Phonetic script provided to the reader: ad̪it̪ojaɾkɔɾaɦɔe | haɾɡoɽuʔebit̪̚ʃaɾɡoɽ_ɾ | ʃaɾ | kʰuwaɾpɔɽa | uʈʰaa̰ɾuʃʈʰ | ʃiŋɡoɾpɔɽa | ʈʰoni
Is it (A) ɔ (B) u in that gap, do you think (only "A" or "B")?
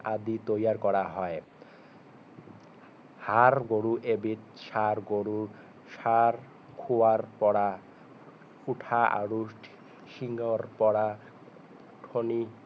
B